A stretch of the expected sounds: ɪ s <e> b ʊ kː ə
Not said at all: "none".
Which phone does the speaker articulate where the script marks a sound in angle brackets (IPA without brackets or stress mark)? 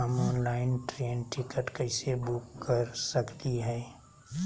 e